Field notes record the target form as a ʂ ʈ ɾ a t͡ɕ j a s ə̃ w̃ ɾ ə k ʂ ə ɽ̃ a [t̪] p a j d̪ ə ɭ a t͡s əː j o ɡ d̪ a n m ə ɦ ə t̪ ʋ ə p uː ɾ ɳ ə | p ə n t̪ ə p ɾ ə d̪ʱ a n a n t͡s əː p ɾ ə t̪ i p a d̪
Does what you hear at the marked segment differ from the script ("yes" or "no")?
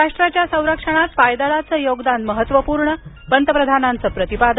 no